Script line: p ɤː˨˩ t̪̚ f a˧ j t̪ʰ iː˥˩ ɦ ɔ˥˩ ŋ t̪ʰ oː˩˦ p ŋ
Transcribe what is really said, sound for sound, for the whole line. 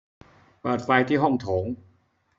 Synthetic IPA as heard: p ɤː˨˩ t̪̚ f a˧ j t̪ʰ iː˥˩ ɦ ɔ˥˩ ŋ t̪ʰ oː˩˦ ŋ